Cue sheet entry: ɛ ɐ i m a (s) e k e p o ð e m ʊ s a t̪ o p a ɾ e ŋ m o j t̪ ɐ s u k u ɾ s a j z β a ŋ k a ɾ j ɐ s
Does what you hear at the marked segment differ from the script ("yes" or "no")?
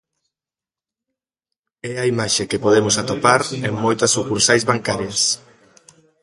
yes